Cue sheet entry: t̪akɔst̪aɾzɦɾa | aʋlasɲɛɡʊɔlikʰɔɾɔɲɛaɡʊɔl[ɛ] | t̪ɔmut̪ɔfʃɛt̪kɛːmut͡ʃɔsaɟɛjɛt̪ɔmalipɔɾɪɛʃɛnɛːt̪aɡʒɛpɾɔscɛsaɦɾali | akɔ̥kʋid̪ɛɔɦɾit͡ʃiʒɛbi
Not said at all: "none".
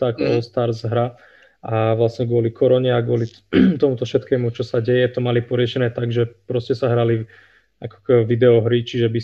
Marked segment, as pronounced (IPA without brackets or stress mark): i